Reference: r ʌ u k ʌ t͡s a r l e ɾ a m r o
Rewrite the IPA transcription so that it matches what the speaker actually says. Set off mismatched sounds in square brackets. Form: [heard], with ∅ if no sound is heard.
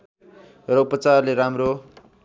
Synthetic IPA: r ʌ u [p] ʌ t͡s a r l e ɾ a m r o